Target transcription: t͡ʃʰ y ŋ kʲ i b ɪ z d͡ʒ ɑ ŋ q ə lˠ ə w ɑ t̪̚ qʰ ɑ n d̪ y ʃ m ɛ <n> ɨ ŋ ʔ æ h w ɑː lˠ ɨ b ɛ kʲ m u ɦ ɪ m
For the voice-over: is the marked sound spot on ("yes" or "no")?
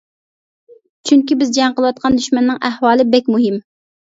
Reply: no